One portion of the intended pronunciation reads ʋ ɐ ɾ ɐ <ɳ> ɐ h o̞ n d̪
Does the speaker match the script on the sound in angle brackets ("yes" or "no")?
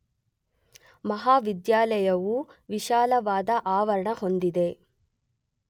yes